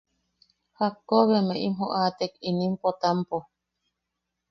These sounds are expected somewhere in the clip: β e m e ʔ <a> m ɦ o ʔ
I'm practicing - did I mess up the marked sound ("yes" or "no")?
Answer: yes